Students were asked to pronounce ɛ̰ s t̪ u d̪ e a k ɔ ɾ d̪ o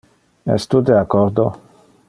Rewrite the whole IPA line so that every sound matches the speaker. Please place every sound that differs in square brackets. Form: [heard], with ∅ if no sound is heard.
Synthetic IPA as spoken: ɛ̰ s t̪ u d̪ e a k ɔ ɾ d̪ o